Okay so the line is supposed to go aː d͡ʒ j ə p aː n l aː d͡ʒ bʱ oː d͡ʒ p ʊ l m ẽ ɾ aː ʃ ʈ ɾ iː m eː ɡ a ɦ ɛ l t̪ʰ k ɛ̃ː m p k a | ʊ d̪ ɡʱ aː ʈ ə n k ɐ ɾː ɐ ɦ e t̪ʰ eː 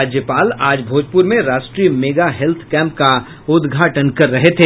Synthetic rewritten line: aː d͡ʒ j ə p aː l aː d͡ʒ bʱ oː d͡ʒ p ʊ ɾ m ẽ ɾ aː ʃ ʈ ɾ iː m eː ɡ a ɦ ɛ l t̪ʰ k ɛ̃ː m p k a | ʊ d̪ ɡʱ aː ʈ ə n k ɐ ɾː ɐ ɦ e t̪ʰ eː